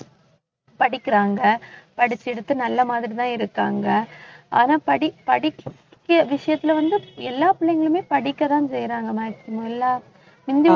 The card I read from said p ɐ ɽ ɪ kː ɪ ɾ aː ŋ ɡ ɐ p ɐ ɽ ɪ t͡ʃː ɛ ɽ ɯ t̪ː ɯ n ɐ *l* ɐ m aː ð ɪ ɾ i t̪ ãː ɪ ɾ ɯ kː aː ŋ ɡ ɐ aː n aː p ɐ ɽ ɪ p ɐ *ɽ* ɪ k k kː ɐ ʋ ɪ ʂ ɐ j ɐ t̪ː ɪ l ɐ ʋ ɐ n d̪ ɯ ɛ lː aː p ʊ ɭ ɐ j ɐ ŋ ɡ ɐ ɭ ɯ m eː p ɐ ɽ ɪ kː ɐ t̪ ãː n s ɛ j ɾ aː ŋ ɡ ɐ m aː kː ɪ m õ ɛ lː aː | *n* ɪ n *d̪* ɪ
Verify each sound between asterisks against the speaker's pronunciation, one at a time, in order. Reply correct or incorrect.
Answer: incorrect, correct, incorrect, correct

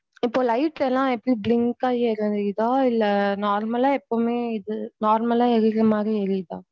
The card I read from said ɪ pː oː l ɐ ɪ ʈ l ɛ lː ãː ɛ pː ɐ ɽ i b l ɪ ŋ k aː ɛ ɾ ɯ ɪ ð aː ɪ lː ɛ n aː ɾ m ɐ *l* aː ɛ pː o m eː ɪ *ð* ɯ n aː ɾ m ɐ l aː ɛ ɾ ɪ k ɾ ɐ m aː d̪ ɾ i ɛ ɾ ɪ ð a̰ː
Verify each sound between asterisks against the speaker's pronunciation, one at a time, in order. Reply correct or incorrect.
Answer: correct, correct

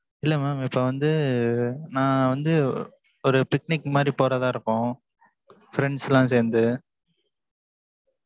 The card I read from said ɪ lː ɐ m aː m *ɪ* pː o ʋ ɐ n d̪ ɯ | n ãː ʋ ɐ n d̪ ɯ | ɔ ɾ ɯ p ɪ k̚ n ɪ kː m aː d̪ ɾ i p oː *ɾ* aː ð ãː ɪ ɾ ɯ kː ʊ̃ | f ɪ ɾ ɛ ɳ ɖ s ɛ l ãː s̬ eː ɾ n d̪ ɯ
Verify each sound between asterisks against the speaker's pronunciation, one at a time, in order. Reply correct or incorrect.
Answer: correct, correct

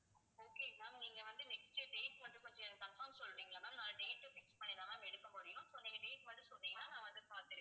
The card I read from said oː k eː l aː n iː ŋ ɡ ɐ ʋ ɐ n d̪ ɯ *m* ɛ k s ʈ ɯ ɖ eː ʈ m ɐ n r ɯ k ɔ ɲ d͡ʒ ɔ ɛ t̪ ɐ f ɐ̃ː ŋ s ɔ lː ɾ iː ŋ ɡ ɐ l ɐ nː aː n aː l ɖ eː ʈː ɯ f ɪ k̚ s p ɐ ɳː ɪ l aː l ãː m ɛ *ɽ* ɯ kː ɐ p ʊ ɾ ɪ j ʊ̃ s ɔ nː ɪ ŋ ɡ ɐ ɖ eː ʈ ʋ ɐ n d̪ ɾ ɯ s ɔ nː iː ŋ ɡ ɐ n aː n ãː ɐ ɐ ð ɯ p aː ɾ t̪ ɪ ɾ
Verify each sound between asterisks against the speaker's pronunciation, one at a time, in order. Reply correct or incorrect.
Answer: incorrect, correct

